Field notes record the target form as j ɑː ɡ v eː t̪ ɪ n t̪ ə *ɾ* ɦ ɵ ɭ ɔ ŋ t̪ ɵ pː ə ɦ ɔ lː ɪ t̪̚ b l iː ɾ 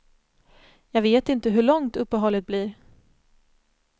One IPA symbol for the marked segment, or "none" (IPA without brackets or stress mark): none